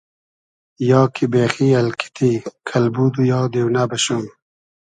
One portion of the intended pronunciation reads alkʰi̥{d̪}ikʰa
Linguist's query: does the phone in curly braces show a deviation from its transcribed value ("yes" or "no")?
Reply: yes